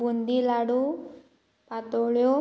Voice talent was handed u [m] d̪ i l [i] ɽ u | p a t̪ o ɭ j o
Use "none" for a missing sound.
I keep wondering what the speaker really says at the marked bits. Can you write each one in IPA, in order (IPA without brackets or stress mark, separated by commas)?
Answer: n, a